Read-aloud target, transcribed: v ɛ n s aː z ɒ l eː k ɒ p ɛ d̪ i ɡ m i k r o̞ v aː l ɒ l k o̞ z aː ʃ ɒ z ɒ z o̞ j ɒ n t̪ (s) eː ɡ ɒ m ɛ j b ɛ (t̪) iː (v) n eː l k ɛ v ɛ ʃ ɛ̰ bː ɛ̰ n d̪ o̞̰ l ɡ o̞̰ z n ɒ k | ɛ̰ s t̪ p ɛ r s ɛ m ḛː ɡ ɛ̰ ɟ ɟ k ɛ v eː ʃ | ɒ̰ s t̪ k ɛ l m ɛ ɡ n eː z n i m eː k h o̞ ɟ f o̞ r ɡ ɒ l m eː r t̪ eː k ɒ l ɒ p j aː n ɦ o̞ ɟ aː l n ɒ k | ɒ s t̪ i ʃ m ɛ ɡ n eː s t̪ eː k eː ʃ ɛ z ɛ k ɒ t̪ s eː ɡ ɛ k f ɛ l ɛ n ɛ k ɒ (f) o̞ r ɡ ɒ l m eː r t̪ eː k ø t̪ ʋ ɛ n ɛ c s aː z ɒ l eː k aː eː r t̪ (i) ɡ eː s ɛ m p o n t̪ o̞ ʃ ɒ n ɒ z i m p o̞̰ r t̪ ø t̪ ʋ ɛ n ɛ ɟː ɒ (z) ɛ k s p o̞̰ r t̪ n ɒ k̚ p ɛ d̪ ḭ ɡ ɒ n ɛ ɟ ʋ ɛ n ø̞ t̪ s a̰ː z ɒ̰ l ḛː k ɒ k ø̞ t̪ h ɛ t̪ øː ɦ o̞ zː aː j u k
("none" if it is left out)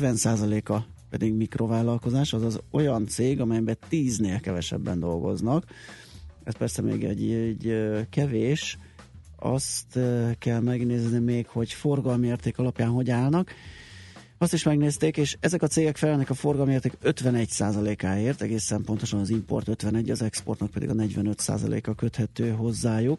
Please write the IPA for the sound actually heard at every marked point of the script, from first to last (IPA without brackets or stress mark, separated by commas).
s, t̪, z, f, ɛ, z